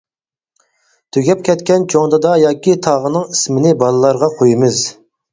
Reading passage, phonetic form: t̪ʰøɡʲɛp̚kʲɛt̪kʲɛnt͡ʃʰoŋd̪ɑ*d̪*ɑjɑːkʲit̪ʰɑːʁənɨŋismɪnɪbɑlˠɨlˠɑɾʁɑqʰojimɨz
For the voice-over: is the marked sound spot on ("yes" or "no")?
yes